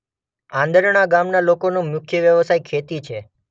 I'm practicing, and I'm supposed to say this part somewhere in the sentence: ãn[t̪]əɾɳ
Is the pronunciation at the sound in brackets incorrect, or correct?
incorrect